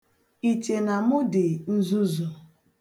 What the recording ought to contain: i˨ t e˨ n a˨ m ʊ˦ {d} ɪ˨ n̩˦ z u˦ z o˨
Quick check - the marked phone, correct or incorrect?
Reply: correct